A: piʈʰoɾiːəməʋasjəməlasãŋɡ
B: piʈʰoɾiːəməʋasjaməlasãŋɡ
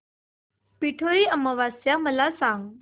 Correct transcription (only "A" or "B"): B